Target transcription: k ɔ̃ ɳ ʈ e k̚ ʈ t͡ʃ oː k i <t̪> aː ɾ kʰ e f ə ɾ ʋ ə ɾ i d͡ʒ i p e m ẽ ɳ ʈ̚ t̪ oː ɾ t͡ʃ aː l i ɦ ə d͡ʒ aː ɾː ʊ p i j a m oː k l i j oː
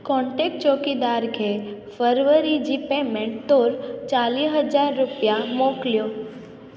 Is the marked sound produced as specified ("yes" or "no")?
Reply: no